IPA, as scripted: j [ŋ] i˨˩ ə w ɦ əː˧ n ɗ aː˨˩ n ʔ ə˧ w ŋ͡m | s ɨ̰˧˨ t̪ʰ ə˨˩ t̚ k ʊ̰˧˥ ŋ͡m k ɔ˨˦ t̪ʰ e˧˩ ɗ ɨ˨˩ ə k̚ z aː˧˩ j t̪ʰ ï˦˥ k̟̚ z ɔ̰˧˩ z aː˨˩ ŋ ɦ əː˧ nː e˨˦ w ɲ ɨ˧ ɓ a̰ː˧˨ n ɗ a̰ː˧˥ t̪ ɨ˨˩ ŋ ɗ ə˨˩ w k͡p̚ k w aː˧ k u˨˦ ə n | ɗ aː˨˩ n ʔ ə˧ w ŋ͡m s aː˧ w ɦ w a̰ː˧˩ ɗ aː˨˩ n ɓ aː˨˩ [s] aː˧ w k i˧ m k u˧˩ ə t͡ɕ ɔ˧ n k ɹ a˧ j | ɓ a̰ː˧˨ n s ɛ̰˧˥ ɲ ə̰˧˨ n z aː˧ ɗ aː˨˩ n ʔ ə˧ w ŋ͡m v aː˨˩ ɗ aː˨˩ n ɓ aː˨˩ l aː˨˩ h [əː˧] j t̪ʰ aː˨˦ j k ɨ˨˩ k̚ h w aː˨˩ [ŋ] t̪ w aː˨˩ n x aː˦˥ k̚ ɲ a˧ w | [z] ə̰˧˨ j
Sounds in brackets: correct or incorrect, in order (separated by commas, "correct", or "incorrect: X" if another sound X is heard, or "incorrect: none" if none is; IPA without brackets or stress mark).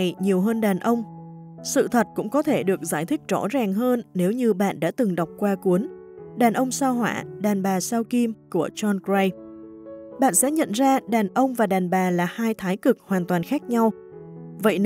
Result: incorrect: ɲ, correct, incorrect: aː˧, incorrect: n, incorrect: v